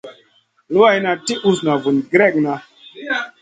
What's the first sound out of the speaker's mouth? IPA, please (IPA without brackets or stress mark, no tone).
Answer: l